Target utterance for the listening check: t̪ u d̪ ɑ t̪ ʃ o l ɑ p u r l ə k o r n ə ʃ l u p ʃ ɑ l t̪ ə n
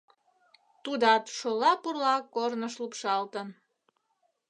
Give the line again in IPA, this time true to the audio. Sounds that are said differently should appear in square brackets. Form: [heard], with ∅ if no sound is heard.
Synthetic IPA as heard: t̪ u d̪ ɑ t̪ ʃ o l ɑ p u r l [ɑ] k o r n ə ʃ l u p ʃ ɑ l t̪ ə n